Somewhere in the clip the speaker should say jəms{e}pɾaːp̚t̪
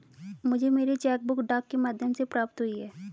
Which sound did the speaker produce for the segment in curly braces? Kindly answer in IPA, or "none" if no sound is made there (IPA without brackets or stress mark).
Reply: e